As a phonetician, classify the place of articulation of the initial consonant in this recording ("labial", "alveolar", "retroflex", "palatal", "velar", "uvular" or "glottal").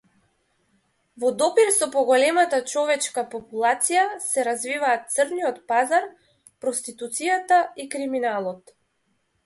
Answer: labial